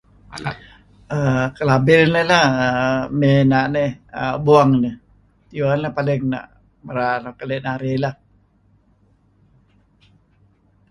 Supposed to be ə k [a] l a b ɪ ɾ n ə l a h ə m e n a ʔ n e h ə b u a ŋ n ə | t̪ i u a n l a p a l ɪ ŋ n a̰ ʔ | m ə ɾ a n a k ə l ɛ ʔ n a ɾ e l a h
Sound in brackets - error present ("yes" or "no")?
yes